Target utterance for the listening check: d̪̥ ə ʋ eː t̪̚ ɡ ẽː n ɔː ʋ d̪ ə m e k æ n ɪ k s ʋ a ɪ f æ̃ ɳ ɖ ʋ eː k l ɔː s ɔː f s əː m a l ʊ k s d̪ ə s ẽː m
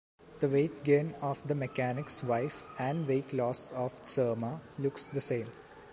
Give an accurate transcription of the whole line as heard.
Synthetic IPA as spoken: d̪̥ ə ʋ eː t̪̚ ɡ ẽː n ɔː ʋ d̪ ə m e k æ n ɪ k s ʋ a ɪ f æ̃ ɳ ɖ ʋ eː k l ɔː s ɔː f s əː m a l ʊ k s d̪ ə s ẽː m